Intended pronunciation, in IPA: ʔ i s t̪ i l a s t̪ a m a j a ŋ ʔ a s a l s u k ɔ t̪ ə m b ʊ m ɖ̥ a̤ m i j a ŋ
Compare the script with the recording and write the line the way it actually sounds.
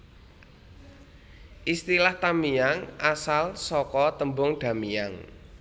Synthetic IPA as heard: ʔ i s t̪ i l a h t̪ a m i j a ŋ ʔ a s a l s ɔ k ɔ t̪ ə m b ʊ ŋ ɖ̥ a̤ m i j a ŋ